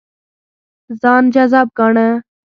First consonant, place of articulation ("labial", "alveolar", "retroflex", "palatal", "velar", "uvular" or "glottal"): alveolar